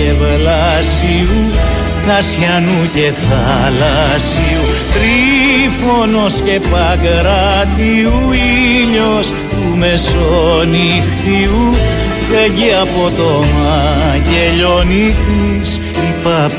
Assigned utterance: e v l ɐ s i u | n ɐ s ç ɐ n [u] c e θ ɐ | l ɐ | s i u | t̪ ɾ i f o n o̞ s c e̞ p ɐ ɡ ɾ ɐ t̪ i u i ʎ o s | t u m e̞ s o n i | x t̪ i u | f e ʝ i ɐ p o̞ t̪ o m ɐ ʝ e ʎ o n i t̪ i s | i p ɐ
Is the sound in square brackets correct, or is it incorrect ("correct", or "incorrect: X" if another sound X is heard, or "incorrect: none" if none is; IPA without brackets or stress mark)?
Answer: correct